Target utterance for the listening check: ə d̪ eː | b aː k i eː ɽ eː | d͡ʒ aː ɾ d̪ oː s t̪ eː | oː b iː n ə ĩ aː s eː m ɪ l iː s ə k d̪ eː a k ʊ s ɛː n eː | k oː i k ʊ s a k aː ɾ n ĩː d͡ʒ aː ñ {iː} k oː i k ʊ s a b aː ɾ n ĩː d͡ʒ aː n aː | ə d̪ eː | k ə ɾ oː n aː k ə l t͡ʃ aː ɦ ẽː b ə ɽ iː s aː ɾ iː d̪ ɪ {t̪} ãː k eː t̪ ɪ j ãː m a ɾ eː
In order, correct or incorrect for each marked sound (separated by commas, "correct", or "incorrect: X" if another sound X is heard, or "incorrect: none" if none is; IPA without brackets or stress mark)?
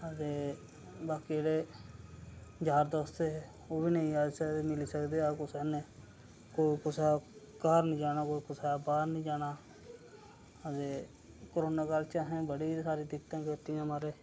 incorrect: aː, correct